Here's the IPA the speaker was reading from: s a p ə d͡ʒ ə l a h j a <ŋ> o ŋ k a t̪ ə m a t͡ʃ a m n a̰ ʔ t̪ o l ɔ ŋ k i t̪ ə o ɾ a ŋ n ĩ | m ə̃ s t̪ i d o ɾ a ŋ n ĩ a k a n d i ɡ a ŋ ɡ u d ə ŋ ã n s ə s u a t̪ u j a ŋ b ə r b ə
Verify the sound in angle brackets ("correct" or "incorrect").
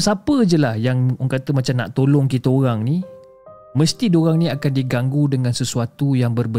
correct